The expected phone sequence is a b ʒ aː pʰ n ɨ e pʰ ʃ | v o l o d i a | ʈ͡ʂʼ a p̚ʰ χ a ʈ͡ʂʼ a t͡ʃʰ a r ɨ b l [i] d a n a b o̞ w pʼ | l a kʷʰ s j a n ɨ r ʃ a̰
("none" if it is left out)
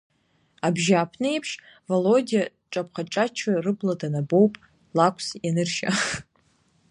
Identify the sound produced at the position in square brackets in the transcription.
a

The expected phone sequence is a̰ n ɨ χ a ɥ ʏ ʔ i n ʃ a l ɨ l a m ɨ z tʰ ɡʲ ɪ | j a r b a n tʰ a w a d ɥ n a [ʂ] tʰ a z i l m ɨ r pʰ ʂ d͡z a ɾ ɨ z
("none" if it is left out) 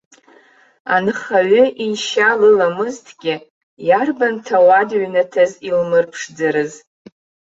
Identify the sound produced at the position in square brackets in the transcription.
none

